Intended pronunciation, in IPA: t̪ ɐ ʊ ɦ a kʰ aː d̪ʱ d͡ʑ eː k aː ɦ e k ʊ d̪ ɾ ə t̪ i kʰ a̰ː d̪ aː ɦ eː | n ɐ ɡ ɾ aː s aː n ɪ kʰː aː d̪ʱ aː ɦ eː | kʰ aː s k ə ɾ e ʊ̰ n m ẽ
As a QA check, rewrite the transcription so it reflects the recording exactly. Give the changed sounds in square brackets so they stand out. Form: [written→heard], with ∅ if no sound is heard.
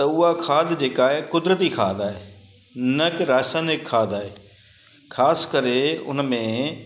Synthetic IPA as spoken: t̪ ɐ ʊ ɦ a kʰ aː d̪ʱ d͡ʑ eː k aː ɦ e k ʊ d̪ ɾ ə t̪ i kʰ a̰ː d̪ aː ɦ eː | n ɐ [ɡ→k] ɾ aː s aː n ɪ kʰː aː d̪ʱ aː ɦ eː | kʰ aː s k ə ɾ e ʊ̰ n m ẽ